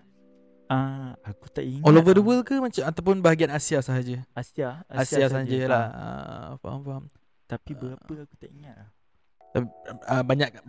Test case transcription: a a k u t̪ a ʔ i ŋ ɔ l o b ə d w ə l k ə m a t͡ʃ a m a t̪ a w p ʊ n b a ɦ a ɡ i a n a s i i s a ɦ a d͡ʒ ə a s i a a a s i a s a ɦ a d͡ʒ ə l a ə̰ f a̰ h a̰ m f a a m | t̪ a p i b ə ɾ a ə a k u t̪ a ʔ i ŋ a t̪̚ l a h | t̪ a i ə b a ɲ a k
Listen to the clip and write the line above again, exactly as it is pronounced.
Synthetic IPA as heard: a a k u t̪ a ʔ i ŋ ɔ l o v ə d w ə l k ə m a t͡ʃ a m a t̪ a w p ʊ n b a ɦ a ɡ i a n a s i a s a ɦ a d͡ʒ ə a s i a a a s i a s a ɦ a d͡ʒ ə l a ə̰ f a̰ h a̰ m f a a m | t̪ a p i b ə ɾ a ə a k u t̪ a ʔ i ŋ a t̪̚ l a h | t̪ a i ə b a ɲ a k